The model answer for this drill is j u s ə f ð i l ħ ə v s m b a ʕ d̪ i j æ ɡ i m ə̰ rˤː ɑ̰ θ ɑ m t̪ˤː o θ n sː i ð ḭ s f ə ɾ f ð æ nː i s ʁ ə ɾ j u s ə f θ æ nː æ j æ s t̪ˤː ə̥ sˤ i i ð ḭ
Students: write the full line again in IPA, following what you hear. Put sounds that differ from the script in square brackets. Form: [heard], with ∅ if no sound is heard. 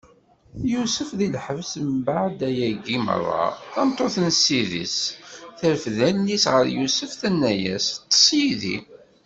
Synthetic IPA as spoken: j u s ə f ð i l ħ ə v s m b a ʕ d̪ [æ] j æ ɡ i m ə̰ rˤː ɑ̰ θ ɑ m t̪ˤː o θ n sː i ð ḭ s [θ] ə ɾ f ð æ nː i s ʁ ə ɾ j u s ə f θ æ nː æ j æ s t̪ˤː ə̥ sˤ [j] i ð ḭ